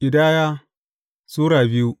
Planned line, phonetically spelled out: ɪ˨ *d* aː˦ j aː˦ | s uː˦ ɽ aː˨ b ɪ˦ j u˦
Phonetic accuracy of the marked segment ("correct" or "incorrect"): correct